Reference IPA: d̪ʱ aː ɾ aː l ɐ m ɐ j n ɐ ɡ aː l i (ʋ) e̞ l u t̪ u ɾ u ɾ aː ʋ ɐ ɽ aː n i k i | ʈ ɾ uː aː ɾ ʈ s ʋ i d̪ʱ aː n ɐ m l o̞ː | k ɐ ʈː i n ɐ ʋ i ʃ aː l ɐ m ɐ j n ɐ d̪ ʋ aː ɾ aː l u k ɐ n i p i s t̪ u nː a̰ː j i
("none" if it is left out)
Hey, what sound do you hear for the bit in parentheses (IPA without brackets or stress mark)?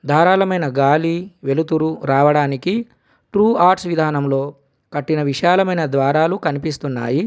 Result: ʋ